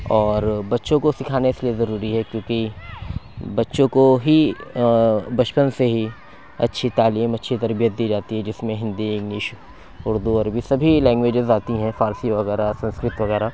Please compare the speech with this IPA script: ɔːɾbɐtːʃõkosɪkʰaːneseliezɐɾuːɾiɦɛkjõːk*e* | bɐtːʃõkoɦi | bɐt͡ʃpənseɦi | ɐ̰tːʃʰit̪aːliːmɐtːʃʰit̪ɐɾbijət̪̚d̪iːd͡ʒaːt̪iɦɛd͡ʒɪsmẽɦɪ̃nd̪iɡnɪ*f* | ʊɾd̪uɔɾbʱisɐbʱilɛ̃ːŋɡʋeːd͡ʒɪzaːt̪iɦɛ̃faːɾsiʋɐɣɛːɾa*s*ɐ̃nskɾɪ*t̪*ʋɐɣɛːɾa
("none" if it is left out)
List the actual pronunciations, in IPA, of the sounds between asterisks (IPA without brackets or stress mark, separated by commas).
i, ʃ, s, t̪